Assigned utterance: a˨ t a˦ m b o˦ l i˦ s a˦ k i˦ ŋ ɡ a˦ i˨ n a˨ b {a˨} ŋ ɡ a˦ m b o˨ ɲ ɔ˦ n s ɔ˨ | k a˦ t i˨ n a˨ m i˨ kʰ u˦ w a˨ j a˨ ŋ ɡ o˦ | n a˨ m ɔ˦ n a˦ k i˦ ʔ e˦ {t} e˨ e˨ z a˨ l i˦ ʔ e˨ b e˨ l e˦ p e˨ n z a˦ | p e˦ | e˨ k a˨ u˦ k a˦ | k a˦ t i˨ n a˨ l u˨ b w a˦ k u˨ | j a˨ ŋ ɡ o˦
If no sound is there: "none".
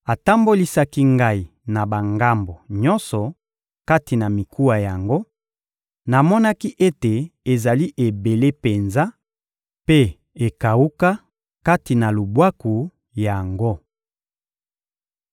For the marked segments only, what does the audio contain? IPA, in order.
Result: a˨, t

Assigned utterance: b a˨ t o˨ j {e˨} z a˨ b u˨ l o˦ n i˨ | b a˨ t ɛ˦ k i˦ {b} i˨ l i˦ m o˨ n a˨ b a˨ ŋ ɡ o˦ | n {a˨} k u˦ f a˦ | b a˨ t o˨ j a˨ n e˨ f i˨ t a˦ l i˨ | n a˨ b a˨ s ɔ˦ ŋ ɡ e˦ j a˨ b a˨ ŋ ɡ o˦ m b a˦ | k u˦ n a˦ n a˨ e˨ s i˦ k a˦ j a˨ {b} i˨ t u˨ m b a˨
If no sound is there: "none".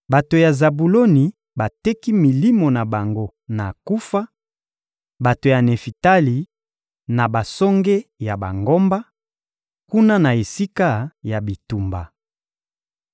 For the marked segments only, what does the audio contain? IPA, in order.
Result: a˨, m, a˨, b

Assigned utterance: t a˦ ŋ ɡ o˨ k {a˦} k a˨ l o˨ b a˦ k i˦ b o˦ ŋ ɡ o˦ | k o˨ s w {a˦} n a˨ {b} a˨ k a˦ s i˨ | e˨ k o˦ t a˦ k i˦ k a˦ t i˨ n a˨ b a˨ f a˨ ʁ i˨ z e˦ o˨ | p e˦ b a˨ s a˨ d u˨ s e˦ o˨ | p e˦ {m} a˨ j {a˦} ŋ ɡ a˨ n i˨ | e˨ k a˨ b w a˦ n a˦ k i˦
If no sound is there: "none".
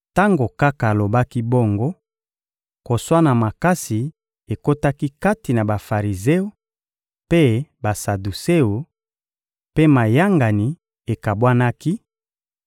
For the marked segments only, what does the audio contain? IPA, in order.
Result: a˦, a˦, m, m, a˦

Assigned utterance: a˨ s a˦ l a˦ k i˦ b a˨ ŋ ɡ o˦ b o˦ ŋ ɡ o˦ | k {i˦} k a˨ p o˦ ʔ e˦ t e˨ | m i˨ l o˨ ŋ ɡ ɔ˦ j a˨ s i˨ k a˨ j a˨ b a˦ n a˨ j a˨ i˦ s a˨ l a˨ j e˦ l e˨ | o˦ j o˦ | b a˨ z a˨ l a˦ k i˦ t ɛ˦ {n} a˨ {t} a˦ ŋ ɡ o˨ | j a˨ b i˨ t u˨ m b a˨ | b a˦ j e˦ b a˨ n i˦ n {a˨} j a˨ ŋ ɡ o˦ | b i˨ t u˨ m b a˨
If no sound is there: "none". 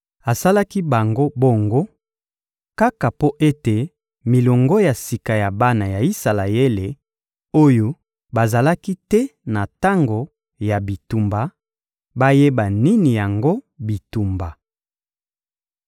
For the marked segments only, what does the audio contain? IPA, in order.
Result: a˦, n, t, i˨

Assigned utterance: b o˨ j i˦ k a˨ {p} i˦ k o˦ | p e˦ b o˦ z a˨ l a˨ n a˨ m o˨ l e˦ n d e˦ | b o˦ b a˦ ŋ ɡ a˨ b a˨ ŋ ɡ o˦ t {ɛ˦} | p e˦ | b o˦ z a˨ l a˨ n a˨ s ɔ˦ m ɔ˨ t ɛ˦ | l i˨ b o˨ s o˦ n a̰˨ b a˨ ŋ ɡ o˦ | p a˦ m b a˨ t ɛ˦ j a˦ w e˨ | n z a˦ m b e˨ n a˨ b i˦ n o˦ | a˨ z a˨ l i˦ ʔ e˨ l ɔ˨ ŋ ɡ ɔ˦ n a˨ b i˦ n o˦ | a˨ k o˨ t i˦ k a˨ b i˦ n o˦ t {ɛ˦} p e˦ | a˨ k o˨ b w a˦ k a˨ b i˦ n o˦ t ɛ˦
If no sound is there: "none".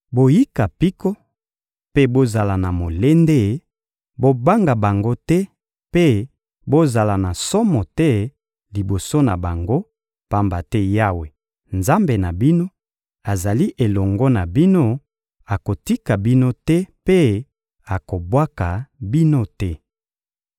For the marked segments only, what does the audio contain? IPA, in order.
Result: p, ɛ˦, ɛ˦

